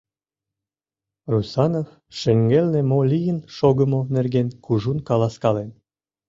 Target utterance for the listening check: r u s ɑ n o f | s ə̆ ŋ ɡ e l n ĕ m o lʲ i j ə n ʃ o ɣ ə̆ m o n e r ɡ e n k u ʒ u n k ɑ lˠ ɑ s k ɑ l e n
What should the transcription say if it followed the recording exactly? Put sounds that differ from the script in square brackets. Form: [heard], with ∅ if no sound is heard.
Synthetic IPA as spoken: r u s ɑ n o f | [ʃ] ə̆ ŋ ɡ e l n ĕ m o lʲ i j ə n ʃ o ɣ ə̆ m o n e r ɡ e n k u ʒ u n k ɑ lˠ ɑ s k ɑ l e n